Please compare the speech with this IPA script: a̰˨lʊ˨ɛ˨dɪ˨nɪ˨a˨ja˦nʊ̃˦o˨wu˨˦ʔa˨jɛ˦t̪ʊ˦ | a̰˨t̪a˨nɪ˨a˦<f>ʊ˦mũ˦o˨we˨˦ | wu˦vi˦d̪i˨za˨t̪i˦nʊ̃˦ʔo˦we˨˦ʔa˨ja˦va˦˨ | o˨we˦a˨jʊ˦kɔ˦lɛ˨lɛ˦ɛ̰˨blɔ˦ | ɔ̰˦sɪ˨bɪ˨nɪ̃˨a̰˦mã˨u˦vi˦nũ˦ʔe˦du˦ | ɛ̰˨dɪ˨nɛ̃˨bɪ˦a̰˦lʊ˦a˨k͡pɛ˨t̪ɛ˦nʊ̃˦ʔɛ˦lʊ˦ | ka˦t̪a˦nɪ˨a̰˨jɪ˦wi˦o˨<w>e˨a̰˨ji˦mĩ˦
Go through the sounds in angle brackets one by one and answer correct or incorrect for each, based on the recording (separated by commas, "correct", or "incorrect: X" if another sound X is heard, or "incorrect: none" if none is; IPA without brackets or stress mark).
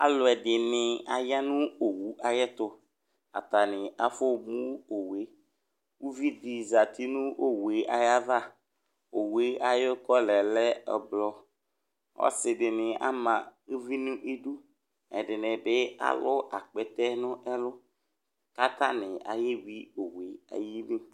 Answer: correct, correct